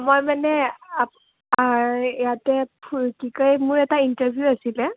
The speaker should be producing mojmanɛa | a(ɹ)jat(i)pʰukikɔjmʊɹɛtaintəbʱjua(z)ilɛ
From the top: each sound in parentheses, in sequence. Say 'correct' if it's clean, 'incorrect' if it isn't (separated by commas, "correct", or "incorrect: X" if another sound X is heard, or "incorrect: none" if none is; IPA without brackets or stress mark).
correct, incorrect: ɛ, incorrect: s